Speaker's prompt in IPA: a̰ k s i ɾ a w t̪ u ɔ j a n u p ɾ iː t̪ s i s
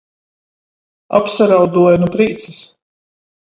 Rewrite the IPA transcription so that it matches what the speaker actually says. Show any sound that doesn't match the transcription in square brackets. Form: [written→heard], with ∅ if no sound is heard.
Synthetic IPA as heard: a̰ [k→p] s [i→a] ɾ a w [t̪→d̪] u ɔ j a n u p ɾ iː t̪ s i s